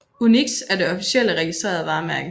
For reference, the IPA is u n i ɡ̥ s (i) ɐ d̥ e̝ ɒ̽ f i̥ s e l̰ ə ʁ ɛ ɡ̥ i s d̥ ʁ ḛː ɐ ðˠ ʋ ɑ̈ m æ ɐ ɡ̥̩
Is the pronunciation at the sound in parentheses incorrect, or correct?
incorrect